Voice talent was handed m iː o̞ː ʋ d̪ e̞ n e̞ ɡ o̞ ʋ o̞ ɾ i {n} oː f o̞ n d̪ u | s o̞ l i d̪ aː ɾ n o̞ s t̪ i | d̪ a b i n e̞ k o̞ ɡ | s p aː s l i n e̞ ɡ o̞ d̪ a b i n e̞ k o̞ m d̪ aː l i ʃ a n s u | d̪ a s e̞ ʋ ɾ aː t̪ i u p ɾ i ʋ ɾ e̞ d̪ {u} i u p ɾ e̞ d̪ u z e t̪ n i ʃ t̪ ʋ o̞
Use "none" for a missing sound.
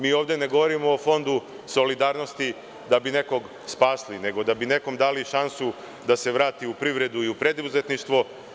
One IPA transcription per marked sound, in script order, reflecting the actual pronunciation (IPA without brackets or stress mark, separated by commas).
m, u